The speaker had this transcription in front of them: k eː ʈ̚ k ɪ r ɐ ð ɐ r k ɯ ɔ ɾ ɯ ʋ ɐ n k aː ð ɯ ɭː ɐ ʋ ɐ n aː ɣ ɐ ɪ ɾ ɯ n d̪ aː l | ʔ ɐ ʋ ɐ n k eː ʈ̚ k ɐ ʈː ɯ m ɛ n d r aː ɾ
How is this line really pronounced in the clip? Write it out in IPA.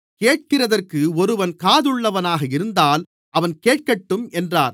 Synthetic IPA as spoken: k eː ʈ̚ k ɪ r ɐ ð ɐ r k ɯ ɔ ɾ ɯ ʋ ɐ n k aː ð ɯ ɭː ɐ ʋ ɐ n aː ɣ ɐ ɪ ɾ ɯ n d̪ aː l | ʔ ɐ ʋ ɐ n k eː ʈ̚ k ɐ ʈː ɯ m ɛ n d r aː ɾ